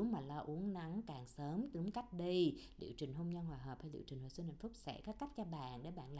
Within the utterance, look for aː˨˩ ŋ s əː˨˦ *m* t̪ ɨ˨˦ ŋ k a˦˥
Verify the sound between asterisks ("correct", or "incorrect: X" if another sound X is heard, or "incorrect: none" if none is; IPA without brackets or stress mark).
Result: correct